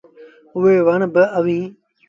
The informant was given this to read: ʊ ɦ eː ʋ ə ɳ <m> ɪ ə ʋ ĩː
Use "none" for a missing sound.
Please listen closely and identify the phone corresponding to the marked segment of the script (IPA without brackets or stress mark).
b